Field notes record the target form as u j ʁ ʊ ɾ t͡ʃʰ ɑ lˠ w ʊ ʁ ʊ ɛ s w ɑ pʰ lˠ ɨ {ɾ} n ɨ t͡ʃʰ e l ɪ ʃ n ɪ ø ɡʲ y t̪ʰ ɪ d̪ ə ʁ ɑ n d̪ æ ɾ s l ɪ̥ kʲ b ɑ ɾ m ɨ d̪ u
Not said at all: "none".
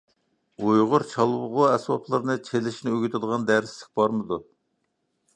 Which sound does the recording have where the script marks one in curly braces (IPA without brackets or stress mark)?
ɾ